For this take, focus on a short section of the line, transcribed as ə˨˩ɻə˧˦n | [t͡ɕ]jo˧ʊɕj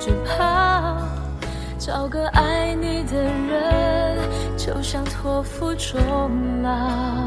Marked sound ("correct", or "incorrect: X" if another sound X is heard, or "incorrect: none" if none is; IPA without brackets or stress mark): correct